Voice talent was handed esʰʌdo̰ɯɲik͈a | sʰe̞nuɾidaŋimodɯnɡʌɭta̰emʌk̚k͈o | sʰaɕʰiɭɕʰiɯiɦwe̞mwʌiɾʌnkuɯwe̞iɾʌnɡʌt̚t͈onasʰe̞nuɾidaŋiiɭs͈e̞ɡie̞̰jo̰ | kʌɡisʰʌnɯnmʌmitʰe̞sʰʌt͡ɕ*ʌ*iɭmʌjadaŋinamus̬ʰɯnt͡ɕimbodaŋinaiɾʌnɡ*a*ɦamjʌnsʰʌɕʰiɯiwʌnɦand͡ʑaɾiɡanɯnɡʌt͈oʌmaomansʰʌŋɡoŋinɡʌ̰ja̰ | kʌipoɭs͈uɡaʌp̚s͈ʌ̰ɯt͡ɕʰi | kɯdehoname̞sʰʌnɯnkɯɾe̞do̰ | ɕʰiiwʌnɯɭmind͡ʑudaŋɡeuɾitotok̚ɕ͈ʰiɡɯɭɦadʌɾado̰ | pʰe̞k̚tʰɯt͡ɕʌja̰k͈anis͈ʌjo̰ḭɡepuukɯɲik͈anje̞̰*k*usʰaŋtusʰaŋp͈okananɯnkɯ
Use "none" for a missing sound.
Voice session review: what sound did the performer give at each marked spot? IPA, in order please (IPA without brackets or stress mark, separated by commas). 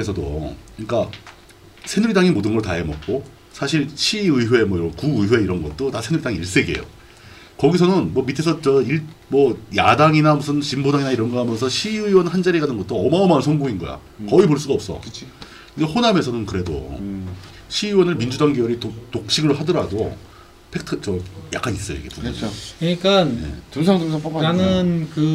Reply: ʌ, ʌ, t